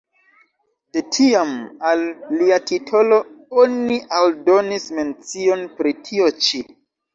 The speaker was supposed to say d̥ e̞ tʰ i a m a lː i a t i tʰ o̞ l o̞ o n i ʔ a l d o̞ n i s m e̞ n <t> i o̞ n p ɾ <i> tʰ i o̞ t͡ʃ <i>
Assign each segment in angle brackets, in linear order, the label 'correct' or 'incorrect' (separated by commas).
incorrect, correct, correct